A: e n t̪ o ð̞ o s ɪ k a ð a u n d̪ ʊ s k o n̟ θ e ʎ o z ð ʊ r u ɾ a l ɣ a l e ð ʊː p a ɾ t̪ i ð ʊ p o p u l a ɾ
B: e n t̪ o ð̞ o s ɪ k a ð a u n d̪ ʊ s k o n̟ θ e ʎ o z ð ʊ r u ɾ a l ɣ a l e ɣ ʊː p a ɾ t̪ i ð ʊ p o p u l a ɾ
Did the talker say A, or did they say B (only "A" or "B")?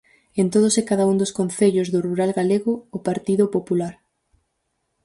B